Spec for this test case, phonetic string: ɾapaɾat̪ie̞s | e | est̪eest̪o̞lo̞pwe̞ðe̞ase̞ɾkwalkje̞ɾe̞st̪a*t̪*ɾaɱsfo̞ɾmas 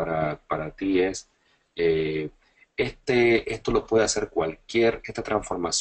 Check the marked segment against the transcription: correct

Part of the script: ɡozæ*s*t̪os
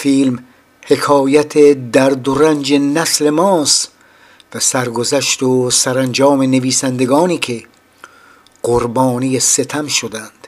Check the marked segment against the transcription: incorrect: ʃ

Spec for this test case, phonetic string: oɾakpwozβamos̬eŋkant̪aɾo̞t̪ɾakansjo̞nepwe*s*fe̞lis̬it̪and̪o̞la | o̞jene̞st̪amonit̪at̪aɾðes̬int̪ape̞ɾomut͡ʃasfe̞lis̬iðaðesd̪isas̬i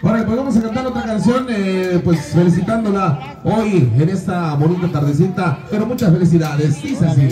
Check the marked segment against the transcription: correct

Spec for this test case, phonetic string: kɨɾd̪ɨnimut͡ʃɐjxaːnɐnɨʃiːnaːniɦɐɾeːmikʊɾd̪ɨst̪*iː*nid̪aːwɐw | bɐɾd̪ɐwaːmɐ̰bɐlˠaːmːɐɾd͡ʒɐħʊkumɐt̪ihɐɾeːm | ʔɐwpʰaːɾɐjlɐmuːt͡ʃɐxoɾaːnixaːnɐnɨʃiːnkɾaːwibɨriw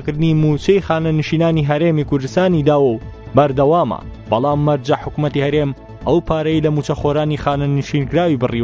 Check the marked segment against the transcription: incorrect: aː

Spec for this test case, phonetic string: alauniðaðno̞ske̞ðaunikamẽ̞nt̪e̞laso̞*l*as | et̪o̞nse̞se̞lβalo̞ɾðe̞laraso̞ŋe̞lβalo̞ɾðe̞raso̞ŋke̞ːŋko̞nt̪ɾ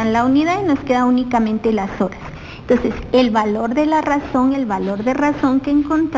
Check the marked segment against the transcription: incorrect: ɾ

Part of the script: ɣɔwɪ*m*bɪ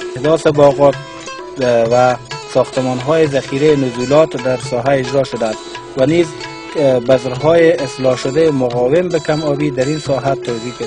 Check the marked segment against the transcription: correct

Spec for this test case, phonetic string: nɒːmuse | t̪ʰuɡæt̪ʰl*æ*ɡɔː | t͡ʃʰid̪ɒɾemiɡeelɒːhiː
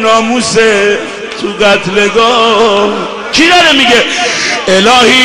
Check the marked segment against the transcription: incorrect: e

